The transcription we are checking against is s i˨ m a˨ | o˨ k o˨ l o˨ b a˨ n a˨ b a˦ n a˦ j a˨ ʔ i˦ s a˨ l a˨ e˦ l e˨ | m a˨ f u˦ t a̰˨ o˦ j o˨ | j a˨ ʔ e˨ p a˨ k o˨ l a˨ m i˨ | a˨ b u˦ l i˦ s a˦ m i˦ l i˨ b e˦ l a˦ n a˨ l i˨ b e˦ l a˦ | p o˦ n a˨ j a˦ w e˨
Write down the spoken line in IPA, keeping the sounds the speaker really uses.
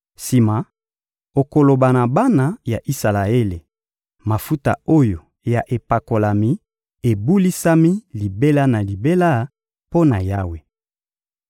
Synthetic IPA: s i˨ m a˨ | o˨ k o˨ l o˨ b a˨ n a˨ b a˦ n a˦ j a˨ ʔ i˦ s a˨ l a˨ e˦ l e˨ | m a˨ f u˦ t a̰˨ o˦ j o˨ | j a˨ ʔ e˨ p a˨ k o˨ l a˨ m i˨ | e˨ b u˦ l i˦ s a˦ m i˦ l i˨ b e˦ l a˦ n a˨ l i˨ b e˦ l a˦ | p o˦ n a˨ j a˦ w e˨

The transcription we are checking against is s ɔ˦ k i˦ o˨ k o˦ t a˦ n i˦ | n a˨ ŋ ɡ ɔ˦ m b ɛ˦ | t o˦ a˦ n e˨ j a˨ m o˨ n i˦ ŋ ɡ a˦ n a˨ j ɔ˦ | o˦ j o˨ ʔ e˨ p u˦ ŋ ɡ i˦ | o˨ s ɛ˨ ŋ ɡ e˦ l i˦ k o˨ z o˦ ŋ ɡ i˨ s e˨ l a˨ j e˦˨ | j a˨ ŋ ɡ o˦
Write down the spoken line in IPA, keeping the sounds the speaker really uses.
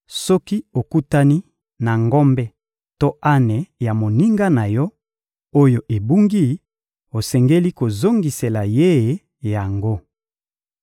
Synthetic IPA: s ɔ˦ k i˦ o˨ k u˦ t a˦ n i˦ | n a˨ ŋ ɡ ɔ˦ m b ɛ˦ | t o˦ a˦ n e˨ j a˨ m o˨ n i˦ ŋ ɡ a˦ n a˨ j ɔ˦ | o˦ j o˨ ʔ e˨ b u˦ ŋ ɡ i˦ | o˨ s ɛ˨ ŋ ɡ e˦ l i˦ k o˨ z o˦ ŋ ɡ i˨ s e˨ l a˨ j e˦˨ | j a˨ ŋ ɡ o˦

